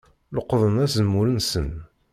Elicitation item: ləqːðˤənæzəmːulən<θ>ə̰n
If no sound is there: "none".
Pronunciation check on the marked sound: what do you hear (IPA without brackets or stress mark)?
s